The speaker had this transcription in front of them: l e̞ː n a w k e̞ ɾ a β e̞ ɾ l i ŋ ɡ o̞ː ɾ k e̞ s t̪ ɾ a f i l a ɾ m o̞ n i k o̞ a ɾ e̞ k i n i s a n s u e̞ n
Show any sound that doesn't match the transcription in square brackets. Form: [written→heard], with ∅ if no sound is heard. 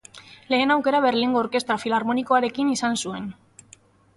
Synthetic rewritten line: l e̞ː n a w k e̞ ɾ a β e̞ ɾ l i ŋ ɡ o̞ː ɾ k e̞ s t̪ ɾ a f i l a ɾ m o̞ n i k o̞ a ɾ e̞ k i n i s a n s u e̞ n